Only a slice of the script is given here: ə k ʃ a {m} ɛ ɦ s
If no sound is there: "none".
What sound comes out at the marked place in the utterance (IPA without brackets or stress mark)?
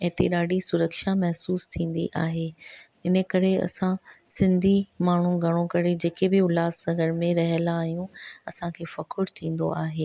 m